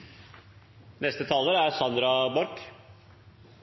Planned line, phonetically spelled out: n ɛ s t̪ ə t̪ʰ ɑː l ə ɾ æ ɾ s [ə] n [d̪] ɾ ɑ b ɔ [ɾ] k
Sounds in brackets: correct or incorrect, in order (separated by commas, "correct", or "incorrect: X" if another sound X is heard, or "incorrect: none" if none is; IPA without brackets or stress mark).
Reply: incorrect: ɑ, correct, correct